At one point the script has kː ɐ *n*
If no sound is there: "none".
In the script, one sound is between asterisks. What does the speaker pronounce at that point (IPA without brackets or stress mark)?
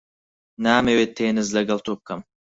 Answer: m